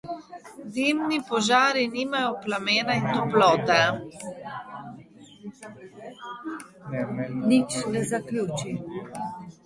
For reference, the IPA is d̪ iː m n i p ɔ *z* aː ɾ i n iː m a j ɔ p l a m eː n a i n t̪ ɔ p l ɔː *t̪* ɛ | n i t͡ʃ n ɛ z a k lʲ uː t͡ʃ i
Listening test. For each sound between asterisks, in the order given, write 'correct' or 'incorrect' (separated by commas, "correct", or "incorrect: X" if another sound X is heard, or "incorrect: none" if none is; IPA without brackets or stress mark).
incorrect: ʒ, correct